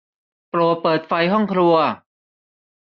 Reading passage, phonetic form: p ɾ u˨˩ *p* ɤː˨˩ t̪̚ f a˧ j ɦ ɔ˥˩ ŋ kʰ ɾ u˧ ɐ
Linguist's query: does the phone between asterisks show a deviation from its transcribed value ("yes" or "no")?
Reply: no